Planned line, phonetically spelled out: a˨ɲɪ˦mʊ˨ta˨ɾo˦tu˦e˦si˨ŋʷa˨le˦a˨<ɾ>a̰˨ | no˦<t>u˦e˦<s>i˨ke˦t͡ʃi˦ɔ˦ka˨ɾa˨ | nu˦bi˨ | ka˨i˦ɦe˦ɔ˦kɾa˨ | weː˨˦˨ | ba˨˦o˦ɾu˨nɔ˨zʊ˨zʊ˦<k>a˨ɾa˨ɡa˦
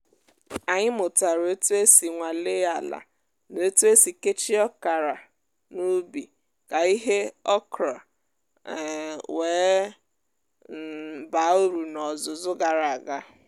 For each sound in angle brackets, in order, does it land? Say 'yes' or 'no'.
no, yes, yes, no

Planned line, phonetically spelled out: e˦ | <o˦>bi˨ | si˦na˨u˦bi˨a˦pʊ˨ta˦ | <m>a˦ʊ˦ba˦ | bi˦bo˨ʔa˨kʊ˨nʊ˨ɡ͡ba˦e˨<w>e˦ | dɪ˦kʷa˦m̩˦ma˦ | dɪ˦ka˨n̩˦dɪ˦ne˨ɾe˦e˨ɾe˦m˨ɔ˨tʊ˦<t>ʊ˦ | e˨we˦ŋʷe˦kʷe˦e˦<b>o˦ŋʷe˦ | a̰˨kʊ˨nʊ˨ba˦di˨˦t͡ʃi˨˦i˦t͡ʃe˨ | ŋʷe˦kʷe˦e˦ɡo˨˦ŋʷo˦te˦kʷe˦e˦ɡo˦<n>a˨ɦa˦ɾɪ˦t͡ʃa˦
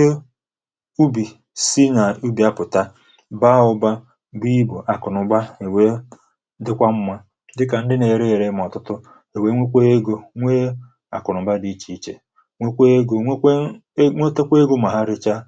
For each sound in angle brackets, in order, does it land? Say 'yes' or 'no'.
no, no, yes, yes, no, no

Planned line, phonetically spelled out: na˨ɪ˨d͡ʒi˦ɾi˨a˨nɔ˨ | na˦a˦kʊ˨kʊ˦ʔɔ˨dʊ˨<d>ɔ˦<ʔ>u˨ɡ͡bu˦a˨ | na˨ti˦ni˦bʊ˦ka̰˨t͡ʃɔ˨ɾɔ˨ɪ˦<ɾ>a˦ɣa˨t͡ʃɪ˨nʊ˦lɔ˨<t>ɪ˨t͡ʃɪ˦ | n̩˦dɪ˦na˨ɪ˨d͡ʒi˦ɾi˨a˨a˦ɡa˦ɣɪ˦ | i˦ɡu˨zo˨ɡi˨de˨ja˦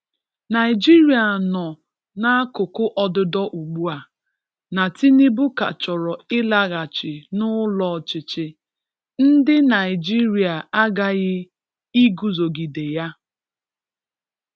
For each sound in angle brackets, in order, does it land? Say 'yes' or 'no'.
yes, yes, no, no

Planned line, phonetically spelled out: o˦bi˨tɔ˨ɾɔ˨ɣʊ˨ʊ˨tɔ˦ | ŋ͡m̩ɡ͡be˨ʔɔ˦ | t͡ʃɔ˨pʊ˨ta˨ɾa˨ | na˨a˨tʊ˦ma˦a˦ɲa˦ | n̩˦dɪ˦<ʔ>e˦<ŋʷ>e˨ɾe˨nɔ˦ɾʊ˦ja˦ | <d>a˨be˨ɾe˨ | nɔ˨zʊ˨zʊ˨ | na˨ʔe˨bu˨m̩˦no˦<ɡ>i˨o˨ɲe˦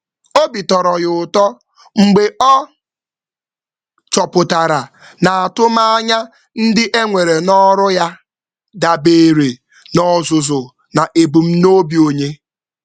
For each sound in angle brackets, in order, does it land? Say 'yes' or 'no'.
yes, yes, yes, no

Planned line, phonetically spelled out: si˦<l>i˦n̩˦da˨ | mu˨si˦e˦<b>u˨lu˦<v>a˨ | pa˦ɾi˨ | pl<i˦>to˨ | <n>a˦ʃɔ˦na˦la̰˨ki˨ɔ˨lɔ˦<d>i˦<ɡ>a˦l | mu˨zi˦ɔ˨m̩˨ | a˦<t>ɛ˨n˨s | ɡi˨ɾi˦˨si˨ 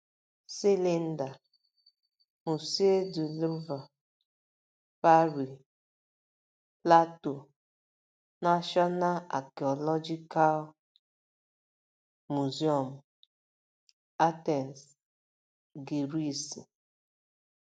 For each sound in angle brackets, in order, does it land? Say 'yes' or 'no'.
yes, no, yes, no, yes, no, no, yes

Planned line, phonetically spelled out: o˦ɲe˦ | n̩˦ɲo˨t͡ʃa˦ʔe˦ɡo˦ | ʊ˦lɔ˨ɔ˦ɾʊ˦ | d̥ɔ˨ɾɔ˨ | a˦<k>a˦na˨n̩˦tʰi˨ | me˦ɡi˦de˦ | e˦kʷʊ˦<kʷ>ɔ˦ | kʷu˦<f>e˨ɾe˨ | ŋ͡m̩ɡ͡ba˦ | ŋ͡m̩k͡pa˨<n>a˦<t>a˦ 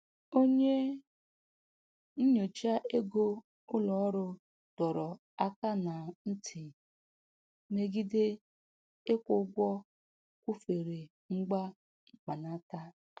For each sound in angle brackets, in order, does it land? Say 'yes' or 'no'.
yes, no, yes, yes, yes

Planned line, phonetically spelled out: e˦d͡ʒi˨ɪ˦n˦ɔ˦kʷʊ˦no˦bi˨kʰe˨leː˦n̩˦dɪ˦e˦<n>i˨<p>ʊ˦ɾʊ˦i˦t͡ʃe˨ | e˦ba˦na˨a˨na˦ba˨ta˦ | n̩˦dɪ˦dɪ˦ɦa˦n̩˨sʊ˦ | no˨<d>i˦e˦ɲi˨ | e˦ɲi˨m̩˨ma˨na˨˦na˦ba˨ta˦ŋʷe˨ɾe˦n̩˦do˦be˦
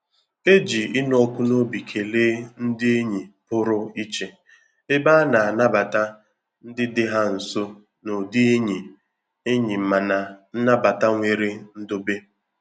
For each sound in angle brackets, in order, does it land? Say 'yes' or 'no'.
no, yes, yes

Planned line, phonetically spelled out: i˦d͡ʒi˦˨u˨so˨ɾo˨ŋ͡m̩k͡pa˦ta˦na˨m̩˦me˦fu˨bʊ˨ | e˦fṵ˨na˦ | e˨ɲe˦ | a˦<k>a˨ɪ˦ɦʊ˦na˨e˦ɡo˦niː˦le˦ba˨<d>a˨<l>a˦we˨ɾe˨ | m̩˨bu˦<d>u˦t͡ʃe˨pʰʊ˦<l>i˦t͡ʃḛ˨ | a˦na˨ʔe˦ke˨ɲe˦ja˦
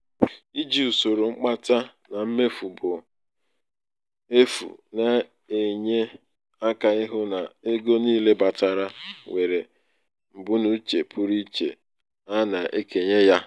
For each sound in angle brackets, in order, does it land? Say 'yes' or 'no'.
yes, no, no, no, no

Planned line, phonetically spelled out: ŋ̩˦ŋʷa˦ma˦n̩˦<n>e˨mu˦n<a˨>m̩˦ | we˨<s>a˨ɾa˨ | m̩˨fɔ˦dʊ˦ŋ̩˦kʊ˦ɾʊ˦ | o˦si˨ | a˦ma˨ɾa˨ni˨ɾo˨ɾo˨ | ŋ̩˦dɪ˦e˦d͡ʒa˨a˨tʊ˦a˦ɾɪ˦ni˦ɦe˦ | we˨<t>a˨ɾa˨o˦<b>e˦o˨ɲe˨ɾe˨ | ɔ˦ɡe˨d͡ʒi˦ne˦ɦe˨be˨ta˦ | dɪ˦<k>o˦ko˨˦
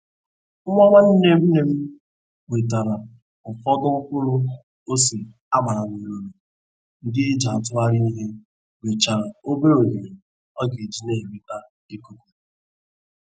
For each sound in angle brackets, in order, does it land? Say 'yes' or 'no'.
yes, no, no, no, yes, yes

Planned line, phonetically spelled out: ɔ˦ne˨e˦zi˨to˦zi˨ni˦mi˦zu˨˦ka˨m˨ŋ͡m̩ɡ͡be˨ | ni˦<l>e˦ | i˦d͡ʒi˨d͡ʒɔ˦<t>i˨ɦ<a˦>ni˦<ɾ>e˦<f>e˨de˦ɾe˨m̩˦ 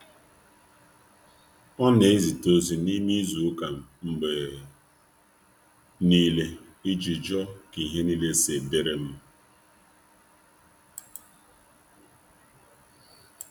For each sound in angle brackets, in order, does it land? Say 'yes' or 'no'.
yes, no, no, no, no

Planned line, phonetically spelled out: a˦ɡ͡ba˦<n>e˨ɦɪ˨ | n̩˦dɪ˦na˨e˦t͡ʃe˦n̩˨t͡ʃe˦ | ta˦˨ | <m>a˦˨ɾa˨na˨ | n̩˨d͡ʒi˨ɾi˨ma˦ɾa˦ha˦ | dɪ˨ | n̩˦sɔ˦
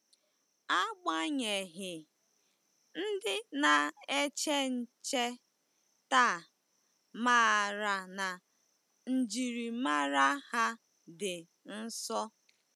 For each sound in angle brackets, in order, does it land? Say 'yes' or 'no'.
no, yes

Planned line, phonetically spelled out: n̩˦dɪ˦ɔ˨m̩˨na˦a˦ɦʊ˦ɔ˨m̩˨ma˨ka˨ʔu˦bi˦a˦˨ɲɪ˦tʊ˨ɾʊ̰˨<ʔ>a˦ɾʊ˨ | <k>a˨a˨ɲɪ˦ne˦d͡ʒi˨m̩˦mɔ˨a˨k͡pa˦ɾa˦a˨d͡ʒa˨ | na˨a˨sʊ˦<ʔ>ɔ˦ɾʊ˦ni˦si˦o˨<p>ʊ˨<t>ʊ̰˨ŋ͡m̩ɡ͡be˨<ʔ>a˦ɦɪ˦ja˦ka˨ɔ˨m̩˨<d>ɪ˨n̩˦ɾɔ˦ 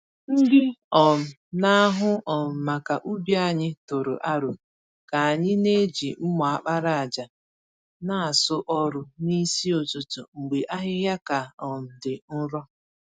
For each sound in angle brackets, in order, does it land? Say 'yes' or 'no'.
yes, yes, yes, no, yes, yes, yes

